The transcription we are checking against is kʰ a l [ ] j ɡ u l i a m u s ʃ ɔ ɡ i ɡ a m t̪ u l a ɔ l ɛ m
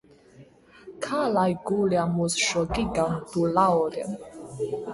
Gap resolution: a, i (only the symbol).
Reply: a